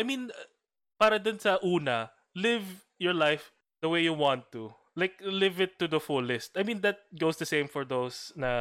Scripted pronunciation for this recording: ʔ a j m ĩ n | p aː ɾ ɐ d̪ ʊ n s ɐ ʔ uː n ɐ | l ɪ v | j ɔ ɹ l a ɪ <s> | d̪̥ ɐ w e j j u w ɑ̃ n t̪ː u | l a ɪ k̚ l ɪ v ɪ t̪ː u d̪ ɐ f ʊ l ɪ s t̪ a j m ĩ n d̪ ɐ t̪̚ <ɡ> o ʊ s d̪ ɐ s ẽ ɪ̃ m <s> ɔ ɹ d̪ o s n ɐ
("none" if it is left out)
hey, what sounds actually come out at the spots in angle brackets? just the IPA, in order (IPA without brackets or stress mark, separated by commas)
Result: f, ɡ, f